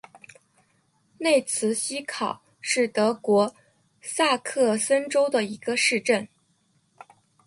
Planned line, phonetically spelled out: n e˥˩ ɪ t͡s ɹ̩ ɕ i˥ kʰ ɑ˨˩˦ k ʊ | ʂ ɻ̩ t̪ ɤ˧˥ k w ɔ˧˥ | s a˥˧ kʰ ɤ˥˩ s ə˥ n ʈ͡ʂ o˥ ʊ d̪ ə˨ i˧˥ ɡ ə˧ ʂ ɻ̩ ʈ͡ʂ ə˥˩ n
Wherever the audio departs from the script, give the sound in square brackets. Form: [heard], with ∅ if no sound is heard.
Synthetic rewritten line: n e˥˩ ɪ [t͡sʰ] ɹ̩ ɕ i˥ kʰ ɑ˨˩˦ [∅] ʊ | ʂ ɻ̩ t̪ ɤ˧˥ k w ɔ˧˥ | s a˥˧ kʰ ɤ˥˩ s ə˥ n ʈ͡ʂ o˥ ʊ d̪ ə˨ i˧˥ ɡ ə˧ ʂ ɻ̩ ʈ͡ʂ ə˥˩ n